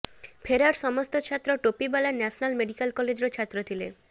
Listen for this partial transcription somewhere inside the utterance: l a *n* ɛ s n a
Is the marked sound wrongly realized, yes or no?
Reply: no